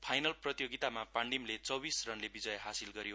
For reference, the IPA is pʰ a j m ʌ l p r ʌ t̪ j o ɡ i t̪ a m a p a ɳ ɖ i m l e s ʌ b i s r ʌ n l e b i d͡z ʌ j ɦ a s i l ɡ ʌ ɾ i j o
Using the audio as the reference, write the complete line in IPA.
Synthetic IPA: pʰ a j n ʌ l p r ʌ t̪ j o ɡ i t̪ a m a p a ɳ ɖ i m l e t͡s ʌ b i s r ʌ n l e b i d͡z ʌ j ɦ a s i l ɡ ʌ ɾ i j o